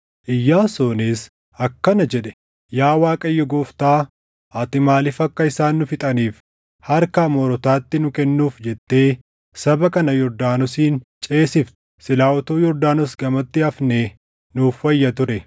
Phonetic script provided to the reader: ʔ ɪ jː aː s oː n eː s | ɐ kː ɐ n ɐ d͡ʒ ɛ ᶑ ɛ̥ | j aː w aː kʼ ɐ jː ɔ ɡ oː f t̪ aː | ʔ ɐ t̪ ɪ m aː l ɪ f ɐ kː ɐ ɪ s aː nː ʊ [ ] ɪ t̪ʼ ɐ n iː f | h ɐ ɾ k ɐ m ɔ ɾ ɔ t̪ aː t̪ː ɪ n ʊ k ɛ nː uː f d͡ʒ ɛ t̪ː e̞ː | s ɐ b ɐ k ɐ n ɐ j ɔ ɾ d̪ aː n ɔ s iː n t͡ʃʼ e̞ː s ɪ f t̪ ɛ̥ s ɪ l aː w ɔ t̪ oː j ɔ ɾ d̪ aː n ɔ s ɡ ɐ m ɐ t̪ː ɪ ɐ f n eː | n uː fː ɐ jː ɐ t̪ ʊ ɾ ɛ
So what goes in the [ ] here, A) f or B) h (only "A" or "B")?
A